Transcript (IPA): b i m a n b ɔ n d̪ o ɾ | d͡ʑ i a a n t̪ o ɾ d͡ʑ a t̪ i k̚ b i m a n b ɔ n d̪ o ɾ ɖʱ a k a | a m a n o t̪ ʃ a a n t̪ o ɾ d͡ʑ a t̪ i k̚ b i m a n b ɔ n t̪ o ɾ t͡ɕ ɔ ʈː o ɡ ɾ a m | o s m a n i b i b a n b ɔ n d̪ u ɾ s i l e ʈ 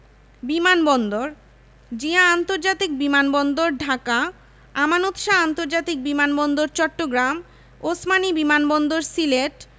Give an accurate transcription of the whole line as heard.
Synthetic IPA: b i m a n b ɔ n d̪ o ɾ | d͡ʑ i a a n t̪ o ɾ d͡ʑ a t̪ i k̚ b i m a n b ɔ n d̪ o ɾ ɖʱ a k a | a m a n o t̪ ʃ a a n t̪ o ɾ d͡ʑ a t̪ i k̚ b i m a n b ɔ n d̪ o ɾ t͡ɕ ɔ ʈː o ɡ ɾ a m | o s m a n i b i m a n b ɔ n d̪ o ɾ s i l e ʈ